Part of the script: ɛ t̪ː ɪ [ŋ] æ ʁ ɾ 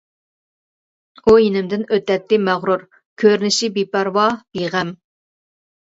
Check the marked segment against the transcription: incorrect: m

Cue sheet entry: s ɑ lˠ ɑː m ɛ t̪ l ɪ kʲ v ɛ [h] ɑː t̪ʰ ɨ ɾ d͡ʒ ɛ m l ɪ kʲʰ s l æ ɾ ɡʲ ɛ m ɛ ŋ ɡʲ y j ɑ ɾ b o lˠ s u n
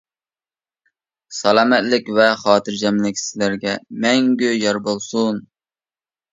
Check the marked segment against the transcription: incorrect: χ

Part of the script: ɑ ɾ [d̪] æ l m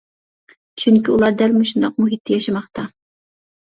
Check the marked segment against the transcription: correct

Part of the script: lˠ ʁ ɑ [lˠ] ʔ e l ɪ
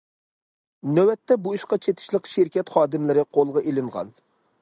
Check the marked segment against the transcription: incorrect: none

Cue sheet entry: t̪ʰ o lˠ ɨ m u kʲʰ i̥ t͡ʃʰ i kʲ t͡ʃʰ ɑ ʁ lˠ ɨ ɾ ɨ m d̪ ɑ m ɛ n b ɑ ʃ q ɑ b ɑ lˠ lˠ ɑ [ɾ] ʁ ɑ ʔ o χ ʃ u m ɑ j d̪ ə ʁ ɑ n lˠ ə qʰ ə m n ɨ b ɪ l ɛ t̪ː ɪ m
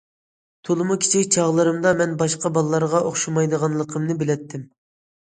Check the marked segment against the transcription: correct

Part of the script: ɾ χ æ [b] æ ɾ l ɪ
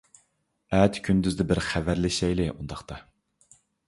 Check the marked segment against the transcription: incorrect: v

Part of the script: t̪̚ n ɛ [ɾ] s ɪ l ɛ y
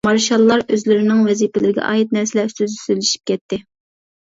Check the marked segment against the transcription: correct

